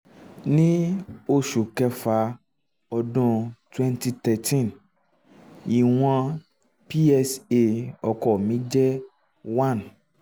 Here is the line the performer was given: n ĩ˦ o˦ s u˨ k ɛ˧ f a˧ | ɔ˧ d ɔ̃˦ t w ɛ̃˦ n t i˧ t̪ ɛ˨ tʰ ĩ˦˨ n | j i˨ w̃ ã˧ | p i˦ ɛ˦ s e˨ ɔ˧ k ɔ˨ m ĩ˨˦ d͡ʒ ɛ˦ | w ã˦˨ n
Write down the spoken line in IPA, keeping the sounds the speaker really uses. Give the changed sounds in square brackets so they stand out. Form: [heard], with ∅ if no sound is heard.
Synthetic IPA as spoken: n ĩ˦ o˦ [ʃ] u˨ k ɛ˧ f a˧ | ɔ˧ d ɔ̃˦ t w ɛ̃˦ n t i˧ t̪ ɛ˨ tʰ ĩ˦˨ n | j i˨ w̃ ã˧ | p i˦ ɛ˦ s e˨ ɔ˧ k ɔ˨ m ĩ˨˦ d͡ʒ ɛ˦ | w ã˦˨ n

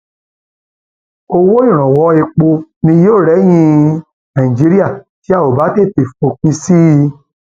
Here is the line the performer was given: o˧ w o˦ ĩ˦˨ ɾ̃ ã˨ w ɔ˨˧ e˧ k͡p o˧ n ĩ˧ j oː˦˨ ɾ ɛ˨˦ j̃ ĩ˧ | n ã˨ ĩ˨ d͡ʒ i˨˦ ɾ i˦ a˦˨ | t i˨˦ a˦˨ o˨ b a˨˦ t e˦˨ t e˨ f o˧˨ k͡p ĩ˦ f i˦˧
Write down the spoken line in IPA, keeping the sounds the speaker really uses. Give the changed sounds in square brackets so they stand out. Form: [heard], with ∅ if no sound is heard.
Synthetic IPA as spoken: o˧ w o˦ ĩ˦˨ ɾ̃ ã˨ w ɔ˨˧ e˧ k͡p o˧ n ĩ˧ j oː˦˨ ɾ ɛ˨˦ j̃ ĩ˧ | n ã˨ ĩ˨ d͡ʒ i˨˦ ɾ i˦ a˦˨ | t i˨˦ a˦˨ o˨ b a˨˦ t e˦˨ t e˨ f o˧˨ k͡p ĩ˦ [s] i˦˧

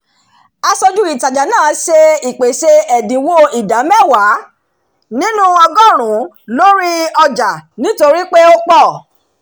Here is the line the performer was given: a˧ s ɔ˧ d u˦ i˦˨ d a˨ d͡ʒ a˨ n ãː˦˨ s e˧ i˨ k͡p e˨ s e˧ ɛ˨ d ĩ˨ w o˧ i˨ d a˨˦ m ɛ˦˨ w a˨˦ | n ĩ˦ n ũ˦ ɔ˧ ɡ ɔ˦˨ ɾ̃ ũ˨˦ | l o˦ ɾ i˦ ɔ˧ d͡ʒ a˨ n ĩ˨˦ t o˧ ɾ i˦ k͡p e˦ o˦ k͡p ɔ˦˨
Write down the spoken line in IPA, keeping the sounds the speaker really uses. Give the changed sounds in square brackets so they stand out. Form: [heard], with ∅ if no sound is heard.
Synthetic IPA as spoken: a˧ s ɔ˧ [d͡ʒ] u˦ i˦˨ [t] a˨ d͡ʒ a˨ n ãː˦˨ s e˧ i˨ k͡p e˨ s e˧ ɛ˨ d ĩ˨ w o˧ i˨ d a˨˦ m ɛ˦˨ w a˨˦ | n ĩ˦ n ũ˦ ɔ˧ ɡ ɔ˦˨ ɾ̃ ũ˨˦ | l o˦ ɾ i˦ ɔ˧ d͡ʒ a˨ n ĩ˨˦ t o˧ ɾ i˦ k͡p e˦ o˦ k͡p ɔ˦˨

